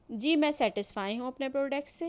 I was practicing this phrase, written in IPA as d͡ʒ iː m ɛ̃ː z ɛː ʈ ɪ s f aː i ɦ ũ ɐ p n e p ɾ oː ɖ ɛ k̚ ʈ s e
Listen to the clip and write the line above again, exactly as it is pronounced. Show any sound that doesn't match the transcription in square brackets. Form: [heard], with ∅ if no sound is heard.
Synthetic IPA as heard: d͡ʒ iː m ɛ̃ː [s] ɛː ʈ ɪ s f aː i ɦ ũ ɐ p n e p ɾ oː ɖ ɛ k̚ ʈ s e